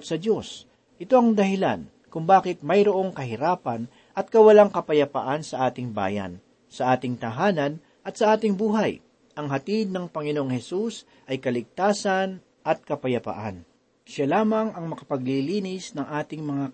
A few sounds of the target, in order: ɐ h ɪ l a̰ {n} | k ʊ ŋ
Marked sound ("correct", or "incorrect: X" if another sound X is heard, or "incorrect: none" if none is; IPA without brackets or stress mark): correct